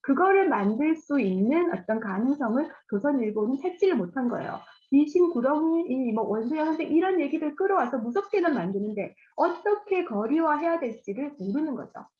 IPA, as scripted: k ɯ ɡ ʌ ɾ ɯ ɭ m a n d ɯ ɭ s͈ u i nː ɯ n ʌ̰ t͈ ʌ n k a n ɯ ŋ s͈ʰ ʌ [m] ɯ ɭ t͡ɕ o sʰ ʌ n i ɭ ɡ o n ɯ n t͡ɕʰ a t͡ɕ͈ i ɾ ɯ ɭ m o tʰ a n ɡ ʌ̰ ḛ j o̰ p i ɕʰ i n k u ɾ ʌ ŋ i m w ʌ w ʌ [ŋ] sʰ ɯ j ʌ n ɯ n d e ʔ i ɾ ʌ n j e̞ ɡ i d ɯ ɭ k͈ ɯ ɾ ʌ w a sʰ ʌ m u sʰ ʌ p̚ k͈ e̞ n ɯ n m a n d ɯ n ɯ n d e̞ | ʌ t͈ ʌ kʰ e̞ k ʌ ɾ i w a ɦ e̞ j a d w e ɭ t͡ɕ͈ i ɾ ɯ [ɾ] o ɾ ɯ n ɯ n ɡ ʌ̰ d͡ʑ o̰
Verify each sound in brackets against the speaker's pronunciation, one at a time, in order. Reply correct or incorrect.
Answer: incorrect: ŋ, incorrect: n, incorrect: ɭ

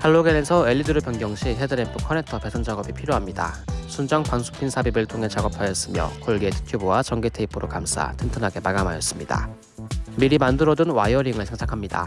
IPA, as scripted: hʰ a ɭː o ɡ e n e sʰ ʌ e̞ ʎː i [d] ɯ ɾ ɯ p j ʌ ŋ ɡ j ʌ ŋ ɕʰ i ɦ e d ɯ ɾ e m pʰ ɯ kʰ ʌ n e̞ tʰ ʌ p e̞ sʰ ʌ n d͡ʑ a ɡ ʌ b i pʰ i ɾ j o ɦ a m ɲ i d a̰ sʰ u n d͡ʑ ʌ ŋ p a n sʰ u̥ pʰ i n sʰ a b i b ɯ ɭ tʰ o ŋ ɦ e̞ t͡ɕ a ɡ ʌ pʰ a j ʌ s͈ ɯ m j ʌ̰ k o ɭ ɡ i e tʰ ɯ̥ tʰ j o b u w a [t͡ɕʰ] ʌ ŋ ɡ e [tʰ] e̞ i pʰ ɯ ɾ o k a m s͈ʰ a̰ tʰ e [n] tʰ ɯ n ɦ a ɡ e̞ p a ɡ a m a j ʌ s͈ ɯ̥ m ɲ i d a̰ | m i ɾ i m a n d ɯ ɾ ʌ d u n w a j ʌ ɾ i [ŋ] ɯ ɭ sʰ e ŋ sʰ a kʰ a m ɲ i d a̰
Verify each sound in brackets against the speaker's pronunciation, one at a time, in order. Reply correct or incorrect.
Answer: correct, incorrect: t͡ɕ, correct, correct, correct

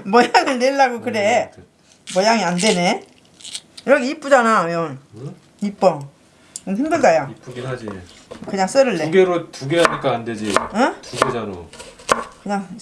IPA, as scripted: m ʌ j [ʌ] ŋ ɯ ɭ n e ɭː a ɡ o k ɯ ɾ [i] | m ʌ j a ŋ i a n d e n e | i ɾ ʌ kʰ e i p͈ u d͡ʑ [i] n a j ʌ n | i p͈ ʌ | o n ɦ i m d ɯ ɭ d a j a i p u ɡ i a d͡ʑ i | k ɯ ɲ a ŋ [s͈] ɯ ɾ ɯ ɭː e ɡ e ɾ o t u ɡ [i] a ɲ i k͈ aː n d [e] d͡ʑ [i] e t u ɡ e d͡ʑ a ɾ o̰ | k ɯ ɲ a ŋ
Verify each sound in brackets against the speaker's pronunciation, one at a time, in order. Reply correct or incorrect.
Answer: incorrect: a, incorrect: e, incorrect: a, correct, incorrect: e, correct, correct

